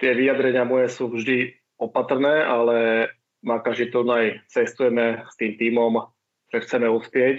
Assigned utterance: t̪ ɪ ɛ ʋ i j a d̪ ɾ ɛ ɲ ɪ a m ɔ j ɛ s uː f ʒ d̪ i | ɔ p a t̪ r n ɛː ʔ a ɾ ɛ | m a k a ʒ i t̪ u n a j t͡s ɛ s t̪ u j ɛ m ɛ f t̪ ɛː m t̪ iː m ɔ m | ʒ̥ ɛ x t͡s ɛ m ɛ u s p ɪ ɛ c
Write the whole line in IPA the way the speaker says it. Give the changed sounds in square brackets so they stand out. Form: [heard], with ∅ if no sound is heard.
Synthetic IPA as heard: t̪ ɪ ɛ ʋ i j a d̪ ɾ ɛ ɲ ɪ a m ɔ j ɛ s uː [v] ʒ d̪ i | ɔ p a t̪ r n ɛː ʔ a [l] ɛ | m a k a ʒ i t̪ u n a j t͡s ɛ s t̪ u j ɛ m ɛ [s] t̪ [iː] m t̪ iː m ɔ m | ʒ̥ ɛ x t͡s ɛ m ɛ u s p ɪ ɛ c